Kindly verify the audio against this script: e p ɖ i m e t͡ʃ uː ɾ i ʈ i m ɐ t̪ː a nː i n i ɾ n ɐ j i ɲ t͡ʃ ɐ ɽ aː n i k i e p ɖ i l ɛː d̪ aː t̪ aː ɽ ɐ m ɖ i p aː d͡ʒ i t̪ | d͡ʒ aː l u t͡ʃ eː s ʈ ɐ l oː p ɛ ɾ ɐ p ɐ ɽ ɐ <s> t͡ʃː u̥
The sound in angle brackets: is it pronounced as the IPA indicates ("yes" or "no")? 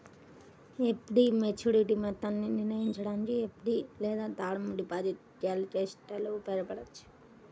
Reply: no